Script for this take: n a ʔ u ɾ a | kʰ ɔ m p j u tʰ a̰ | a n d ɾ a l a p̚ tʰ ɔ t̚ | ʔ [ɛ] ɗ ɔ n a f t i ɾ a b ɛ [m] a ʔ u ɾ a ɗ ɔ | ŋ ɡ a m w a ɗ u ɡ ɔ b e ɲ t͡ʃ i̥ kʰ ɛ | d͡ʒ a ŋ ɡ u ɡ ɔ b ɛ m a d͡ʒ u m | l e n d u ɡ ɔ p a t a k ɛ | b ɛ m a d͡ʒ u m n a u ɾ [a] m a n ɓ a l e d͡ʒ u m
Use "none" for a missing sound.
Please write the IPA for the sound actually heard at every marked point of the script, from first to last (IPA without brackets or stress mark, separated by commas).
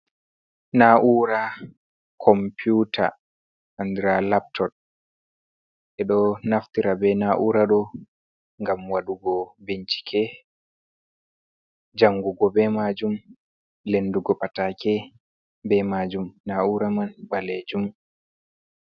ɛ, n, a